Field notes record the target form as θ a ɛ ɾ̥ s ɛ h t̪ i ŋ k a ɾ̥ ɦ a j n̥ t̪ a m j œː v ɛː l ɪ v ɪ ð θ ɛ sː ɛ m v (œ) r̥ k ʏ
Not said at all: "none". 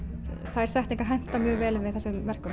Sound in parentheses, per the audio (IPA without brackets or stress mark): ɛ